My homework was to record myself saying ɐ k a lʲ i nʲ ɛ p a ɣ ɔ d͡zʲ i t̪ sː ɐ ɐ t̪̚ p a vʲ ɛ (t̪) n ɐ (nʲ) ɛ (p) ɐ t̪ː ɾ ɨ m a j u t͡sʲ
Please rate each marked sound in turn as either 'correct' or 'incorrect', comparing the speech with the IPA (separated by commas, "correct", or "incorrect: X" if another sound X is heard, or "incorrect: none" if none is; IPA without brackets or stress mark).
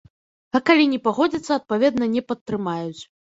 incorrect: d̪, correct, correct